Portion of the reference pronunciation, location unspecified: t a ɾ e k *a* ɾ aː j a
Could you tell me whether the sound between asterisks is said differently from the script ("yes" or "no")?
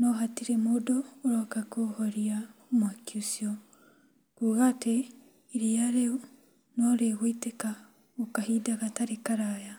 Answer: no